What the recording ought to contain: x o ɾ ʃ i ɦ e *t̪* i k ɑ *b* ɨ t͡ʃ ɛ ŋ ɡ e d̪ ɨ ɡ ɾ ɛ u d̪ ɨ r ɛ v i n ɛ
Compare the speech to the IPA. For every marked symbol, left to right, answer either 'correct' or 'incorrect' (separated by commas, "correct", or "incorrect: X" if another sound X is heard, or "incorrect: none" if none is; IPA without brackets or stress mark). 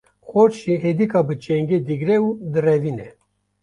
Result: incorrect: d̪, correct